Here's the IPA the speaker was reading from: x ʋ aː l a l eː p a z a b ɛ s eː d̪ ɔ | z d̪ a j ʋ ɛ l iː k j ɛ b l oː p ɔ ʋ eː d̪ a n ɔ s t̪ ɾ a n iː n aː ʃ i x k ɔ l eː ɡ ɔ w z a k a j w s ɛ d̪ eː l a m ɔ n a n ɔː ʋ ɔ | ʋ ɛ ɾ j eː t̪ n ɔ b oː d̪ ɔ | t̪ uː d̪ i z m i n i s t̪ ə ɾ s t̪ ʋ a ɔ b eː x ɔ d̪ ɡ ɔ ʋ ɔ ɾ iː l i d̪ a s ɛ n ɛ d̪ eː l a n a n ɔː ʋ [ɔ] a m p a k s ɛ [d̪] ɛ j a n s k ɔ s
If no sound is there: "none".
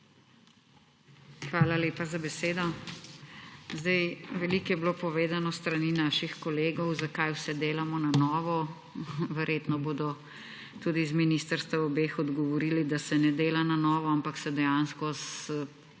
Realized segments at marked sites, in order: ɔ, d̪

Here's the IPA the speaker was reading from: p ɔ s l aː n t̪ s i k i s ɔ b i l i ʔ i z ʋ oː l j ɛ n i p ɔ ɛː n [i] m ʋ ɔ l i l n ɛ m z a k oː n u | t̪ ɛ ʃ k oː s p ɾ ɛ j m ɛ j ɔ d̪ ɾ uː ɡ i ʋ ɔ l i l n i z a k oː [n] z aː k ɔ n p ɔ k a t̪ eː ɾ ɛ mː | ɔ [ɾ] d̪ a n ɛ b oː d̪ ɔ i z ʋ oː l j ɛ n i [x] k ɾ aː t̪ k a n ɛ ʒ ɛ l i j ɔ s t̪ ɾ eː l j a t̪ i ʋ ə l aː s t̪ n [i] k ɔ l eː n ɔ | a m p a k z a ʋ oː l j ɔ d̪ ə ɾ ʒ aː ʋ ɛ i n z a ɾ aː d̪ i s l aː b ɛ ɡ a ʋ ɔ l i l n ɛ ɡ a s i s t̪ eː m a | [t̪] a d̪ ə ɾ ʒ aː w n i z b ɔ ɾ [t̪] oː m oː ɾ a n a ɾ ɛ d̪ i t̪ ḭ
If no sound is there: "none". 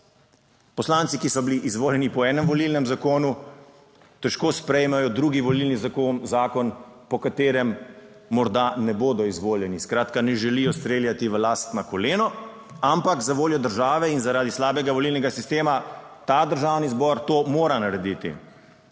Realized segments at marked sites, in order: ɛ, n, ɾ, s, a, t̪, t̪

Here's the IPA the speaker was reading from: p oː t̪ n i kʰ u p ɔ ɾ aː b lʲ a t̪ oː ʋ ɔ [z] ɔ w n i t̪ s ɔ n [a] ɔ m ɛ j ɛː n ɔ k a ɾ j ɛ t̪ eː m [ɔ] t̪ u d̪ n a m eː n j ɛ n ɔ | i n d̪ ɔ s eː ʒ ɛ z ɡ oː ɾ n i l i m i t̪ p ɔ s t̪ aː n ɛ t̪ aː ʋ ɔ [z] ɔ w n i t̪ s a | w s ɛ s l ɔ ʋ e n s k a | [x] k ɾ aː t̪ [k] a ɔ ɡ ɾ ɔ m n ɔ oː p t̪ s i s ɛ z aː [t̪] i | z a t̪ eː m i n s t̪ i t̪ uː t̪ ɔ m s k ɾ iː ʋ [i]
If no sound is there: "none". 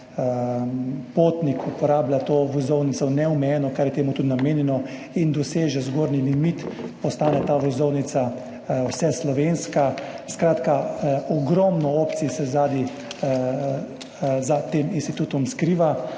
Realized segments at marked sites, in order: z, ɛ, u, z, s, k, d̪, a

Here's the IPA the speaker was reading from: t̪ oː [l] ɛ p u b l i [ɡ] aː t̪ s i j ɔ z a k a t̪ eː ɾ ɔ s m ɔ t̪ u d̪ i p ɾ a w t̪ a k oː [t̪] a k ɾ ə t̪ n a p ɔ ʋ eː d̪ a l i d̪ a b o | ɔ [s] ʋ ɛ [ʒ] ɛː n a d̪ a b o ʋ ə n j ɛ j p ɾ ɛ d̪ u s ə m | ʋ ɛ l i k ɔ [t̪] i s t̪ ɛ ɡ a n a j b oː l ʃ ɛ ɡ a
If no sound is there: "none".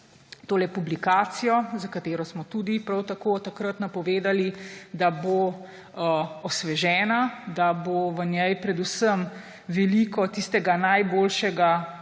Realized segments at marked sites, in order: l, k, t̪, s, ʒ, t̪

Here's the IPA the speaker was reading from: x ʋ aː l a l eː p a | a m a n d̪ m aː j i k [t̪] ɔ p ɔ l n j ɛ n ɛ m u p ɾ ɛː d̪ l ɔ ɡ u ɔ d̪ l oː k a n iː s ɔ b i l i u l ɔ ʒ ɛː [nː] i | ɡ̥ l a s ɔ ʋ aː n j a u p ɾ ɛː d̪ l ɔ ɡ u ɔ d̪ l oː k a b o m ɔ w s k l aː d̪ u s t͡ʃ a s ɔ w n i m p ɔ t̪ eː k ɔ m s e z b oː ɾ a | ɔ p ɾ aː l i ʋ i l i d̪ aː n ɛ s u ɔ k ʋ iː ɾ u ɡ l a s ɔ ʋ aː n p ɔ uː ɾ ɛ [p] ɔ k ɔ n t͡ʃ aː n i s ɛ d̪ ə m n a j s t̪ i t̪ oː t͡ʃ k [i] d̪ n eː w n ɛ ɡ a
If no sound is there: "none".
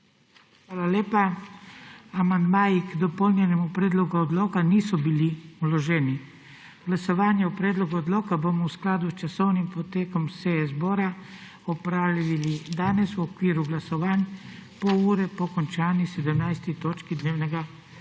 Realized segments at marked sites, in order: d̪, n, p, i

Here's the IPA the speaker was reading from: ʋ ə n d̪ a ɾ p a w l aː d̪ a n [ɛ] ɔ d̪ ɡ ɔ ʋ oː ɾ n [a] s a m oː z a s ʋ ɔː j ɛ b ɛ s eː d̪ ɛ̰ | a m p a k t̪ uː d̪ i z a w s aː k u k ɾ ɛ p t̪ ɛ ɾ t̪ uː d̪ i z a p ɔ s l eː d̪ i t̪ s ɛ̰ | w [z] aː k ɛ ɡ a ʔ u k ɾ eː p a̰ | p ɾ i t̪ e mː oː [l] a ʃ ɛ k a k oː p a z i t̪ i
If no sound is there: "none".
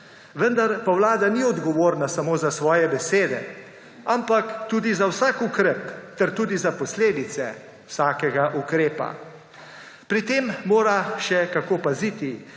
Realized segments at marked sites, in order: i, a, s, ɾ

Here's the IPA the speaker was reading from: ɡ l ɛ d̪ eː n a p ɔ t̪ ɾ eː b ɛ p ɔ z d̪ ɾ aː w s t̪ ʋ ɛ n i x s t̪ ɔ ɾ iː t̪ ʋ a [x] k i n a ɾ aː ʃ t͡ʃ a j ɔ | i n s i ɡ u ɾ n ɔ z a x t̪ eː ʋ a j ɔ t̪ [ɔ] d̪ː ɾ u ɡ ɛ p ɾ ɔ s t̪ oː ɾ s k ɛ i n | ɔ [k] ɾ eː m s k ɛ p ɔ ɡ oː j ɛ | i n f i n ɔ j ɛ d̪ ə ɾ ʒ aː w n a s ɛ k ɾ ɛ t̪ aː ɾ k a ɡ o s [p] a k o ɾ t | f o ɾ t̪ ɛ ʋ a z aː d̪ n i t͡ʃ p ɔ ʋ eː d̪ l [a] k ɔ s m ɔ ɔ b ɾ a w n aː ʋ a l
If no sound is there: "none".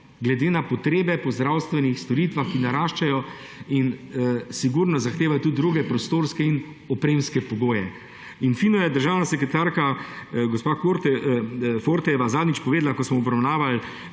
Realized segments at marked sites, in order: x, u, p, p, a

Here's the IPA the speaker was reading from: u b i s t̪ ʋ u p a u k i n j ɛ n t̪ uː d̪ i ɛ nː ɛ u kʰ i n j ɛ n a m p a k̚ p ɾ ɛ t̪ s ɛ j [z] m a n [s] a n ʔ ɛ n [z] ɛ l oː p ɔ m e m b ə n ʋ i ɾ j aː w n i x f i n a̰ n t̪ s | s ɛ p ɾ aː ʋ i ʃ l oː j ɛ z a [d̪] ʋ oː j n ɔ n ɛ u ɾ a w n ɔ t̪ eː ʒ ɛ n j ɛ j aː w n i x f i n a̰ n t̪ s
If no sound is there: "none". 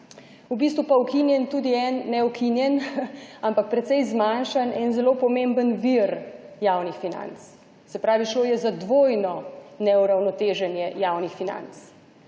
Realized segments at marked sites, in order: z, ʃ, z, d̪

